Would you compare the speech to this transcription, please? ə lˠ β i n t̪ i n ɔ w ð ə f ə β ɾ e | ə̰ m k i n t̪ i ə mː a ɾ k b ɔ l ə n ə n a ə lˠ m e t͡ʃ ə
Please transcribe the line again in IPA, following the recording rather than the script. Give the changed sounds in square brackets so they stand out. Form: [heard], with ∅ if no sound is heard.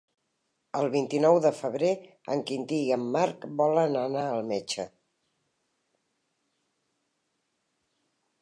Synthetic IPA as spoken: ə lˠ β i n t̪ i n ɔ w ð ə f ə β ɾ e | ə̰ [ŋ] k i n t̪ i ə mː a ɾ k b ɔ l ə n ə n a ə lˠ m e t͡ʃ ə